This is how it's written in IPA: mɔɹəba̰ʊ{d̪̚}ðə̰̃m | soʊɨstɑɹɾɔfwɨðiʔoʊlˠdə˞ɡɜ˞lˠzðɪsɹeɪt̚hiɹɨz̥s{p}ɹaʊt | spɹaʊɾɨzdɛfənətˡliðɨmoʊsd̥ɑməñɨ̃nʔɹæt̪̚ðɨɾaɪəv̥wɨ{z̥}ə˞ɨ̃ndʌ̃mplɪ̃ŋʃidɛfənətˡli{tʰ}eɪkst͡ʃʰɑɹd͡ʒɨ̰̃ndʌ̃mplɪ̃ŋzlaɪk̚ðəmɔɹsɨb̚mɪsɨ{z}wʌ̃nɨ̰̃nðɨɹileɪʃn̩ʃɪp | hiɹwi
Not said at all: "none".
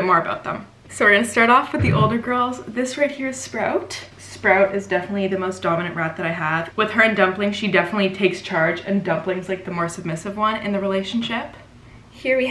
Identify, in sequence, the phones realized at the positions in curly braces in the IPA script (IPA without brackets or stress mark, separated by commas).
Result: t̪̚, p, ð̥, tʰ, v